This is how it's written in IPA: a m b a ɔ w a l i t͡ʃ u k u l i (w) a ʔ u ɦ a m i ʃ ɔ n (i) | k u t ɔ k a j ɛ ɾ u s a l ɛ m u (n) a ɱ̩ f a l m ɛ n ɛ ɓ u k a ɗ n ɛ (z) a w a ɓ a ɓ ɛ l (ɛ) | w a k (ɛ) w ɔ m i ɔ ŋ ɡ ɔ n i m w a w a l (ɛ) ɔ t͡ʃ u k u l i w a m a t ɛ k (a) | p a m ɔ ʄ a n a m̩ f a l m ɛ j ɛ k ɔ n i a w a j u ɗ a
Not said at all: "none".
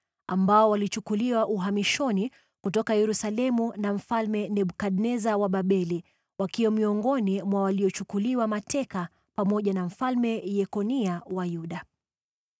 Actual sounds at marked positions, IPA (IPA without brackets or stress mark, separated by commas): w, i, n, z, i, i, i, a